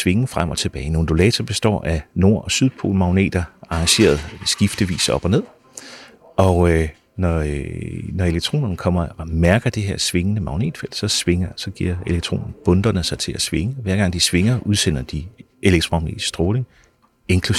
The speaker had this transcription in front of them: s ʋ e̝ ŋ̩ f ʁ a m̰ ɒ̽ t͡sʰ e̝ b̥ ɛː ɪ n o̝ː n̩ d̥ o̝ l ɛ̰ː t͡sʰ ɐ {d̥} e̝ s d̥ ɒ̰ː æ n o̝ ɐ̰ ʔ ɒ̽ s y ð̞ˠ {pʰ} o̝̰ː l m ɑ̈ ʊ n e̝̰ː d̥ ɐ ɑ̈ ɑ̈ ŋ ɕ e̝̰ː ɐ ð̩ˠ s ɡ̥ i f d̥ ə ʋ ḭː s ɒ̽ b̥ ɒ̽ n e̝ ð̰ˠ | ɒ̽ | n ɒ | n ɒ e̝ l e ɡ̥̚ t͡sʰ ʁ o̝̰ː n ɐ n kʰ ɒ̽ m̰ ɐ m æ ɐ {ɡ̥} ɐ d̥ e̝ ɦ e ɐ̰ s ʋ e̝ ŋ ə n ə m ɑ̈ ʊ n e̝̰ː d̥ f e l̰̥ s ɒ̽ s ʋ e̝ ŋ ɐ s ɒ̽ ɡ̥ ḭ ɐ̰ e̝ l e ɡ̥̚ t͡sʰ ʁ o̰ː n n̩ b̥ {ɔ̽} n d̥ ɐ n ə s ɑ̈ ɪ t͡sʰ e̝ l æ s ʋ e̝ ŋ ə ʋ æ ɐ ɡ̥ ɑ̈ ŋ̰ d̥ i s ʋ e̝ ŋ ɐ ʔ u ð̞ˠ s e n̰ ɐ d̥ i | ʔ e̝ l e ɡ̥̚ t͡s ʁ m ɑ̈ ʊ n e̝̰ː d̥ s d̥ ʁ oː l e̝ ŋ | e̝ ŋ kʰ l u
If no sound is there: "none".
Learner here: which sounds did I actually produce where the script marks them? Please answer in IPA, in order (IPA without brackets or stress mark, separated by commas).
b̥, pʰ, ɡ̥, ɔ̽